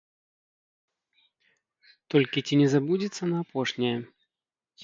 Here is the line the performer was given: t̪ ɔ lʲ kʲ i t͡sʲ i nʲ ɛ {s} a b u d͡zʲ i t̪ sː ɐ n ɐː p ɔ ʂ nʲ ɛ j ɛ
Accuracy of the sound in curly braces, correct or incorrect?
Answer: incorrect